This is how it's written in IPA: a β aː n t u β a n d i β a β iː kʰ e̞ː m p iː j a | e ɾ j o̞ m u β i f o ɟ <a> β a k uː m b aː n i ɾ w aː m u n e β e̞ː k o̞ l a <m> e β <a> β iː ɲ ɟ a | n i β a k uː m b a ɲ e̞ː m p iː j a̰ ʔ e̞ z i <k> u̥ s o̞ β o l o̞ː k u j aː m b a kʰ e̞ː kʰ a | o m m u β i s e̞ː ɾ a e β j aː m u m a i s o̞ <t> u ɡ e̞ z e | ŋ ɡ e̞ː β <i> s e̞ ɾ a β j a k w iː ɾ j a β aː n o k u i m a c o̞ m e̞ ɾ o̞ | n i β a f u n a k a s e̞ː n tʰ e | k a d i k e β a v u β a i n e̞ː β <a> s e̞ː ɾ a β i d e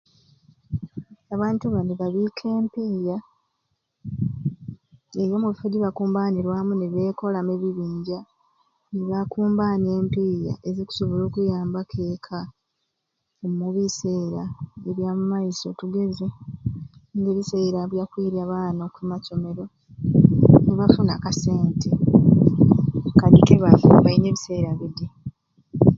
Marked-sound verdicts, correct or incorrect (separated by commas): incorrect, correct, incorrect, correct, correct, correct, incorrect